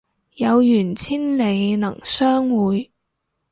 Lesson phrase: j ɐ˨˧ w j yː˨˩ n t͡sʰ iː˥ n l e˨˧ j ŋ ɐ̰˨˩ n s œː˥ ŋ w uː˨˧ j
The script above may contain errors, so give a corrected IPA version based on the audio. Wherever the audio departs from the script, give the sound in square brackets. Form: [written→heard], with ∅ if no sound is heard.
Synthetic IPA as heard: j ɐ˨˧ w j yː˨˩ n t͡sʰ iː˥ n l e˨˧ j [ŋ→n] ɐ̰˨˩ [n→ŋ] s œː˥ ŋ w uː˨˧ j